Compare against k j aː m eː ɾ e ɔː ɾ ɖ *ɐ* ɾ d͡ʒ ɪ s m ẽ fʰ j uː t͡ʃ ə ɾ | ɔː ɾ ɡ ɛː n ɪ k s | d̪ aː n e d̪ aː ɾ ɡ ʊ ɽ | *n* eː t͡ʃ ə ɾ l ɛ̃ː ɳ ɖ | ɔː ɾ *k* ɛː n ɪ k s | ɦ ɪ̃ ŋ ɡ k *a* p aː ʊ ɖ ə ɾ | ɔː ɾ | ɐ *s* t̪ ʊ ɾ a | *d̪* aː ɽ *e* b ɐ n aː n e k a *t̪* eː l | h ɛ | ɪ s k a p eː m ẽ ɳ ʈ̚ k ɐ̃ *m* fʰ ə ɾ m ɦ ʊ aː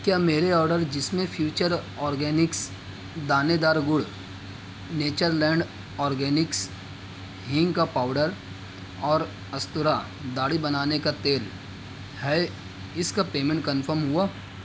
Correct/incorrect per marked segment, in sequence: incorrect: ə, correct, incorrect: ɡ, correct, correct, correct, incorrect: i, correct, incorrect: n

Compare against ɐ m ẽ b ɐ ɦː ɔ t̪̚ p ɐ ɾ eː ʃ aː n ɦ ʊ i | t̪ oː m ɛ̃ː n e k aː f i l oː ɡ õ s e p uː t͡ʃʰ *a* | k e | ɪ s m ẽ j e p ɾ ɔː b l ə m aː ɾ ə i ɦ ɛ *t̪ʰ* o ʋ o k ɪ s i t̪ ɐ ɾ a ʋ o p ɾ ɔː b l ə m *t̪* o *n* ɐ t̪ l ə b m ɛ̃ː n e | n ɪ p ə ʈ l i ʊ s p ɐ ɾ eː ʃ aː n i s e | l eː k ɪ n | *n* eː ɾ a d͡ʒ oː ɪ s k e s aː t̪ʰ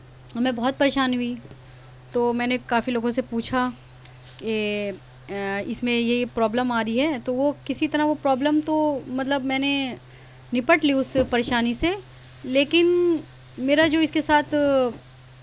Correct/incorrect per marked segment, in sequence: correct, incorrect: t̪, correct, incorrect: m, incorrect: m

